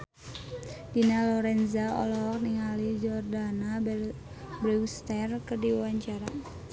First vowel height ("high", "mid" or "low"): high